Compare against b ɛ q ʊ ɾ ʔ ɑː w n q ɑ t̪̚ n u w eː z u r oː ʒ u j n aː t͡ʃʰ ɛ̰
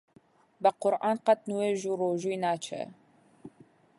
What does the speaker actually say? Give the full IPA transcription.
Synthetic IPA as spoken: b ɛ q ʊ ɾ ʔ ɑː n q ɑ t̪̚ n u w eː ʒ u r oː ʒ u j n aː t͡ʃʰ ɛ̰